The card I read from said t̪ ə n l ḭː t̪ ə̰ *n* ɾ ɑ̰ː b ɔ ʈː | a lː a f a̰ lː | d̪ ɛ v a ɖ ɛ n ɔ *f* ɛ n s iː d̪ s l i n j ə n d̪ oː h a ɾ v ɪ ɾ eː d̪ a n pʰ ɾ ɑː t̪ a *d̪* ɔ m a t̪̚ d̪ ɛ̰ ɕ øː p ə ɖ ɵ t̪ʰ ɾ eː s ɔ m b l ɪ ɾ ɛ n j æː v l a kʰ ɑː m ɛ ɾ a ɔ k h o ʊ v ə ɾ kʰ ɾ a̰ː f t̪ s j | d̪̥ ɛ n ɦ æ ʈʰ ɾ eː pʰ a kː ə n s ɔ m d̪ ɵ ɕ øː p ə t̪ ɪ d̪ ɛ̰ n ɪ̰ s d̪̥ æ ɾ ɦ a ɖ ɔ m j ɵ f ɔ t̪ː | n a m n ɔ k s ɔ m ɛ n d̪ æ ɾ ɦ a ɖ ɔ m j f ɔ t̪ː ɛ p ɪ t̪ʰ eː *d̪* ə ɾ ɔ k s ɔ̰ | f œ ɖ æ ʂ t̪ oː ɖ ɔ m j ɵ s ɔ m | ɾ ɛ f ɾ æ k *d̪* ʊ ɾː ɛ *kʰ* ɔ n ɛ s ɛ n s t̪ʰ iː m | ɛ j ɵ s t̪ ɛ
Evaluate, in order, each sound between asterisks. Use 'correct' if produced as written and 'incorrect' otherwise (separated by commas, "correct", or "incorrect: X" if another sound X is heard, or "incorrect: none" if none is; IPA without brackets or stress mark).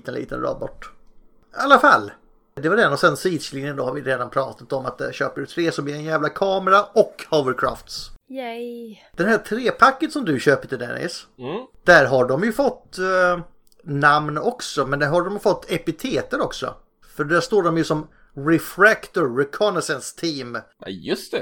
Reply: correct, incorrect: s, incorrect: t̪, incorrect: t̪, incorrect: t̪, correct